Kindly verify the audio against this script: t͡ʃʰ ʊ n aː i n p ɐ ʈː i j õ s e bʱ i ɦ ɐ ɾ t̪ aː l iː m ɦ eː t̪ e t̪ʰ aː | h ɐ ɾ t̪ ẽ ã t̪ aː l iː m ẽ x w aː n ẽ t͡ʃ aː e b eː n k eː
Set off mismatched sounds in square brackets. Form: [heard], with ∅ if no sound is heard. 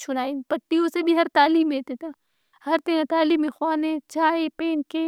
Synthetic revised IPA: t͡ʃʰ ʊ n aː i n p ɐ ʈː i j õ s e bʱ i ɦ ɐ ɾ t̪ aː l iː m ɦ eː t̪ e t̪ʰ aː | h ɐ ɾ t̪ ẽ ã t̪ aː l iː m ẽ x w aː n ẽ t͡ʃ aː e [p] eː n k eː